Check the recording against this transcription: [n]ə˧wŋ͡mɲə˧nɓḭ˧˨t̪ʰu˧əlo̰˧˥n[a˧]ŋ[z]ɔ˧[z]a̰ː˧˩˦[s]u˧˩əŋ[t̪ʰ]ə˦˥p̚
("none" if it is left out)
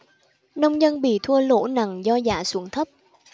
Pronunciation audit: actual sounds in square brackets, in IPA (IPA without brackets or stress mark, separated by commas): n, a˨˩, z, z, s, t̪ʰ